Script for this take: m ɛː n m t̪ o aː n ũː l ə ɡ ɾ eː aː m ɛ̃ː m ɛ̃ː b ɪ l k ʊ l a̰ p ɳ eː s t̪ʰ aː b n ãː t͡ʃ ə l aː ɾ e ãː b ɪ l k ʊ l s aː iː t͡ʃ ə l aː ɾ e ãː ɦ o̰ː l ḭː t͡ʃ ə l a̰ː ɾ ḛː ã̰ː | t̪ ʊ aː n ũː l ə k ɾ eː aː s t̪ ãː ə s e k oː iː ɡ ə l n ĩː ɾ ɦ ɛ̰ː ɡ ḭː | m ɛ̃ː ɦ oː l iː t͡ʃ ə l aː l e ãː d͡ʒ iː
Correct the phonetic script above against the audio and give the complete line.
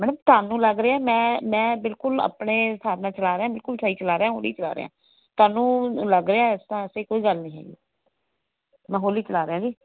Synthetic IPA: m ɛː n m t̪ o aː n ũː l ə ɡ ɾ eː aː m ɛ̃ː m ɛ̃ː b ɪ l k ʊ l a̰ p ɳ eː s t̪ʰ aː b n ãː t͡ʃ ə l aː ɾ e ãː b ɪ l k ʊ l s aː iː t͡ʃ ə l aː ɾ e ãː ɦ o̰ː l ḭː t͡ʃ ə l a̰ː ɾ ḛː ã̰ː | t̪ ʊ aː n ũː l ə ɡ ɾ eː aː s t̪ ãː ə s e k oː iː ɡ ə l n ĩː ɦ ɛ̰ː ɡ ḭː | m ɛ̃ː ɦ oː l iː t͡ʃ ə l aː ɾ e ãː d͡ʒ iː